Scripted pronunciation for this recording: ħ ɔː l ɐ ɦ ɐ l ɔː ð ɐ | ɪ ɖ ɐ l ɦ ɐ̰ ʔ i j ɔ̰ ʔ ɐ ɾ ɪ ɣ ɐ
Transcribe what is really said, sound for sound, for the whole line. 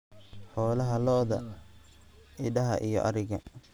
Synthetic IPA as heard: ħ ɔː l ɐ ɦ ɐ l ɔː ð ɐ | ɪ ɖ ɐ ɦ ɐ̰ ʔ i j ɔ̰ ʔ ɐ ɾ ɪ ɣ ɐ